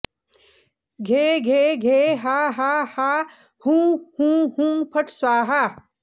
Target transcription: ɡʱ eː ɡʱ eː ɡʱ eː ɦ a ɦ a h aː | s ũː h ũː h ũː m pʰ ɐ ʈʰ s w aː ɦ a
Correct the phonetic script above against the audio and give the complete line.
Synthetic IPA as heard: ɡʱ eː ɡʱ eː ɡʱ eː ɦ a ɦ a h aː | h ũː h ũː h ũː m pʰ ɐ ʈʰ s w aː ɦ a